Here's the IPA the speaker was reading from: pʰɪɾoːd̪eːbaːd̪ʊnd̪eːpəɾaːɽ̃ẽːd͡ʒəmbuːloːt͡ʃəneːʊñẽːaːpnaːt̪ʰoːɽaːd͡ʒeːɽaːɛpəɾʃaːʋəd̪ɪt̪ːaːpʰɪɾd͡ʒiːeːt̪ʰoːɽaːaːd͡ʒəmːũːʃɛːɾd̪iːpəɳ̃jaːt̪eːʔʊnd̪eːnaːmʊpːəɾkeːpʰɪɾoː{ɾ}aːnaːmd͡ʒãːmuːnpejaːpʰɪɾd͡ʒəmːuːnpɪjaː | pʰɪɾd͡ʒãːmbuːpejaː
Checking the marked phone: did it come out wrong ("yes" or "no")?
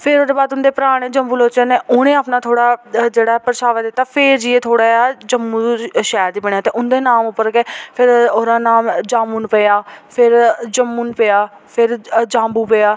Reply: no